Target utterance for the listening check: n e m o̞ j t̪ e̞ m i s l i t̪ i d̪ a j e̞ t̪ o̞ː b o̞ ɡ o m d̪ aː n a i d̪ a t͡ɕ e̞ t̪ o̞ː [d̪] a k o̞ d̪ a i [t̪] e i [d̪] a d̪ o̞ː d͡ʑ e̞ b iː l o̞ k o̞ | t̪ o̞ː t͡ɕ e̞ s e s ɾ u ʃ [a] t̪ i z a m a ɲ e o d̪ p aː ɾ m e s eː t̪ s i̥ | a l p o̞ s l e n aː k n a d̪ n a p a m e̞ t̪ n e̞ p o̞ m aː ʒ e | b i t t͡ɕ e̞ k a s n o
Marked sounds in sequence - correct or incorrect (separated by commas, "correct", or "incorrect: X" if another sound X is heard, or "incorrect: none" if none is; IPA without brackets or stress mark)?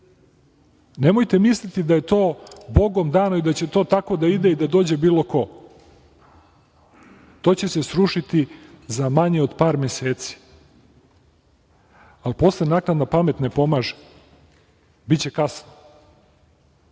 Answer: incorrect: t̪, incorrect: d̪, correct, incorrect: i